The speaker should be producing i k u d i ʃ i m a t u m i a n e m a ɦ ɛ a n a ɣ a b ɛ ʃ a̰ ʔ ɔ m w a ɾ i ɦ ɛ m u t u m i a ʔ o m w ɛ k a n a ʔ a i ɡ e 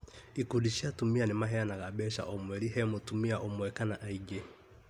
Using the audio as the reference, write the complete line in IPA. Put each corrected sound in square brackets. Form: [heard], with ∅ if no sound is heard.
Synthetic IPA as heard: i k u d i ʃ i [∅] a t u m i a n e m a ɦ ɛ a n a ɣ a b ɛ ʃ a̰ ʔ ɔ m w [ɛ] ɾ i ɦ ɛ m [o] t u m i a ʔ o m w ɛ k a n a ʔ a i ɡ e